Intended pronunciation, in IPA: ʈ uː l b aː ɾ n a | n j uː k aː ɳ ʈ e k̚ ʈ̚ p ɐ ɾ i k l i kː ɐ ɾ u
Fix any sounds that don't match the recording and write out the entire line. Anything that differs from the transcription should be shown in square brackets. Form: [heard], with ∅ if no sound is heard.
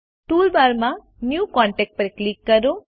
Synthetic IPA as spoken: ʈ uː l b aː ɾ [m] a | n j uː k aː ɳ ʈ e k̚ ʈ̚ p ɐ ɾ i k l i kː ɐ ɾ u